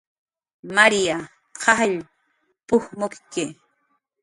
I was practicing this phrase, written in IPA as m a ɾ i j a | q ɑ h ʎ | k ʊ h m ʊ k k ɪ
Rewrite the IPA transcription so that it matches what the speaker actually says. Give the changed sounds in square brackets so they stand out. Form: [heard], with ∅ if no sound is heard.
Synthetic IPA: m a ɾ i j a | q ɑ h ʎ | [p] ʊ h m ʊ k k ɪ